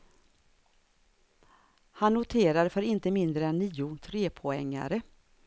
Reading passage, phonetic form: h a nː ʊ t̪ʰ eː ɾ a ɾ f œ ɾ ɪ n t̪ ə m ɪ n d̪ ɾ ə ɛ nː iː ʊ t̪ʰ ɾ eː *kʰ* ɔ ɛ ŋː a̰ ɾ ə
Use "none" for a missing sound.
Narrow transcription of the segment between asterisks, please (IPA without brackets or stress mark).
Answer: pʰ